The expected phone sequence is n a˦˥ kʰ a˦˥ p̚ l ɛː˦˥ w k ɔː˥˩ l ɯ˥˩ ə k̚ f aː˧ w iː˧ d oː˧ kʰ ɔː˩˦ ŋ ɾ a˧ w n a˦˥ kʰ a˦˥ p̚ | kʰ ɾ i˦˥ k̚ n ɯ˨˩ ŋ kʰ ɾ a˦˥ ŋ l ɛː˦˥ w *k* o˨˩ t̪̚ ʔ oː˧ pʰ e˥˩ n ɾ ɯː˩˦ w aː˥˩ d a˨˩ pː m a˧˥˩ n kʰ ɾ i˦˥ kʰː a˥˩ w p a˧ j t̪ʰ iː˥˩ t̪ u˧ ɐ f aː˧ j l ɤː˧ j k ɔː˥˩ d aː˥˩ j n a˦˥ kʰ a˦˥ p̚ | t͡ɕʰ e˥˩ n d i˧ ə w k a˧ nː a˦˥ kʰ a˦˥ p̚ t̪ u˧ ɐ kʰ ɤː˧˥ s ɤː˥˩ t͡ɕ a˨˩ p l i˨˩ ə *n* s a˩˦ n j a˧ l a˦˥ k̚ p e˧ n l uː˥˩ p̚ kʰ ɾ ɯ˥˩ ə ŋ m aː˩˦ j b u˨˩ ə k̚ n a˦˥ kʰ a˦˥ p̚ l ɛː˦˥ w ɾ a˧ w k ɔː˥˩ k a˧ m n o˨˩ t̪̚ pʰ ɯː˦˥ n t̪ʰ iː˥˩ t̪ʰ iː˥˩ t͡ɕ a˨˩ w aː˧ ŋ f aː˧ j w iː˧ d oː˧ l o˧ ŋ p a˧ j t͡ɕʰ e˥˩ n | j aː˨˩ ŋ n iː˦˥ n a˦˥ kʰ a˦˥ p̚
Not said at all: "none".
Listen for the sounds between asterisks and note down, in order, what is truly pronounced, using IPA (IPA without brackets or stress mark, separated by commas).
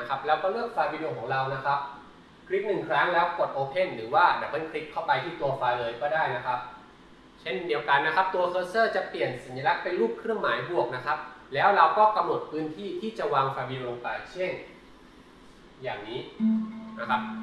k, n